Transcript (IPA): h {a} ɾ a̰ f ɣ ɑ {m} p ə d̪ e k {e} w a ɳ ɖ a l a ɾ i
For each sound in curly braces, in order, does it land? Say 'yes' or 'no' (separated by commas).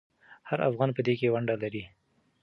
yes, no, yes